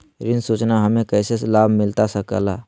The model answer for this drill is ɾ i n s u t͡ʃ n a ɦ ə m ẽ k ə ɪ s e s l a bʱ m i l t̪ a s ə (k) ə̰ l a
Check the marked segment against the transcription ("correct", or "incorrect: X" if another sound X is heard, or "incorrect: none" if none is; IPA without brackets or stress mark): correct